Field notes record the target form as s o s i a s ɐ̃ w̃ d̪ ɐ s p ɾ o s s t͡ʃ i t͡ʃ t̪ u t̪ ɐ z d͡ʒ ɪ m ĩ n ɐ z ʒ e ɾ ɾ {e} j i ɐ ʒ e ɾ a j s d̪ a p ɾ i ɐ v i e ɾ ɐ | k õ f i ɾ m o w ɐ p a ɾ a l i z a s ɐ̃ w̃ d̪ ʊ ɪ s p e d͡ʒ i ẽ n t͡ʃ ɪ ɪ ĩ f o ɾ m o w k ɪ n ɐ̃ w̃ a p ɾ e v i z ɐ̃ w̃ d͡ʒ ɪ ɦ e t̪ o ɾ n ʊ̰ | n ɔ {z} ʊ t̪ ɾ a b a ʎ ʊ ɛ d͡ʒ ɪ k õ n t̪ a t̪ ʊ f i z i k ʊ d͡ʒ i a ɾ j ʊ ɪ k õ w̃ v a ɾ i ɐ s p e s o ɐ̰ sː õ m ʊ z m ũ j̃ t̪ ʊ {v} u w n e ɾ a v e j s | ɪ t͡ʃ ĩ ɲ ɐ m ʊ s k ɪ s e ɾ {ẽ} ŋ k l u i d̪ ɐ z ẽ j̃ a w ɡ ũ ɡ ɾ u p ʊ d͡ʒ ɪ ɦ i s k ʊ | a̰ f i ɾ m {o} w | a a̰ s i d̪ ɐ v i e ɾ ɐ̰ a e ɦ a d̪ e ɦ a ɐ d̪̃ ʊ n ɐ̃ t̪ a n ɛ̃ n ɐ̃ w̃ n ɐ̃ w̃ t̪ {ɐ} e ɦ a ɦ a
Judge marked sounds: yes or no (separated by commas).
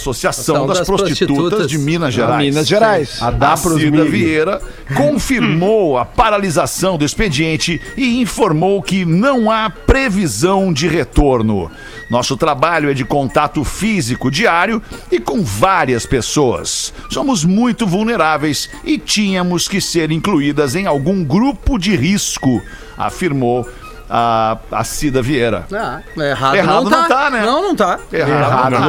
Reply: no, no, yes, no, yes, no